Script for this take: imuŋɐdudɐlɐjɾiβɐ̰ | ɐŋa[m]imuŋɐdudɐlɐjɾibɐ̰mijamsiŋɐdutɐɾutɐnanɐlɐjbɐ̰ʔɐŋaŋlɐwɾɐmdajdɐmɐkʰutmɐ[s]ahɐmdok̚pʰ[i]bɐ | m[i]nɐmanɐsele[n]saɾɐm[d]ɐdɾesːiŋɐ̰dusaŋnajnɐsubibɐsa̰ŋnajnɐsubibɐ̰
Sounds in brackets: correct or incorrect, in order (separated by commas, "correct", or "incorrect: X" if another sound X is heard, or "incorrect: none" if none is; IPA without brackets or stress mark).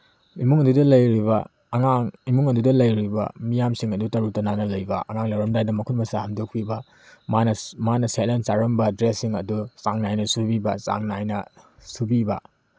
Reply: incorrect: ŋ, correct, correct, incorrect: a, correct, incorrect: b